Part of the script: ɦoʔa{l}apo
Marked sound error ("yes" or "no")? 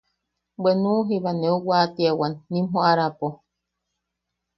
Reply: yes